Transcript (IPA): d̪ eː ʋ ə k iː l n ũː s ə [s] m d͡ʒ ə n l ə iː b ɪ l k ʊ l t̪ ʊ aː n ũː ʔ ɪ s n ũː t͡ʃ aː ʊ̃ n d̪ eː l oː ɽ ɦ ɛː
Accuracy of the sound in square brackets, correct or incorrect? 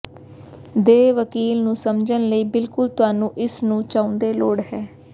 incorrect